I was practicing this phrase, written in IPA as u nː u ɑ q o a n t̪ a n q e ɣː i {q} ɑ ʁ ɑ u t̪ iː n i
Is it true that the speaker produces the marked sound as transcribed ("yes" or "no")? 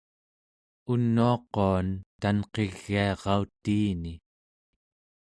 no